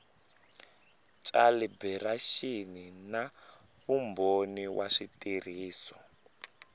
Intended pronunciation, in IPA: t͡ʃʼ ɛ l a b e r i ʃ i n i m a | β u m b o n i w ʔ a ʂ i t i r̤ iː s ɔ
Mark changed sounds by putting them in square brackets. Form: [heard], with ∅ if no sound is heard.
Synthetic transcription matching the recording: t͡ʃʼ [a] l [i] b [ɛ] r [a] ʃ i n i [n] a | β u m b o n i w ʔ a ʂ i t i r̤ iː s ɔ